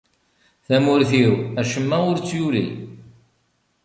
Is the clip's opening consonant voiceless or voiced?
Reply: voiceless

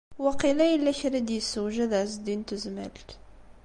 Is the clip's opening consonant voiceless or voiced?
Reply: voiced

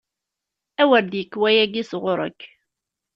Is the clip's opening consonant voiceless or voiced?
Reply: voiced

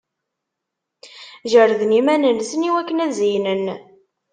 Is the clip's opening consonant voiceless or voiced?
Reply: voiced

